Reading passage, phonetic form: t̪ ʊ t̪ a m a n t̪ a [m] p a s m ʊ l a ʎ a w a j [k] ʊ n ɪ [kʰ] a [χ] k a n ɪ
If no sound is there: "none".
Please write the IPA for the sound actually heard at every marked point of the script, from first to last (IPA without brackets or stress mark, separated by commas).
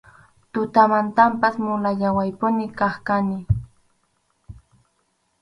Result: m, p, k, χ